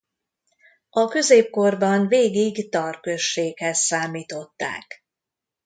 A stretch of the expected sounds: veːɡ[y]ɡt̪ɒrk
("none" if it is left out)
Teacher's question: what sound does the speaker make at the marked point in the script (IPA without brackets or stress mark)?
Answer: i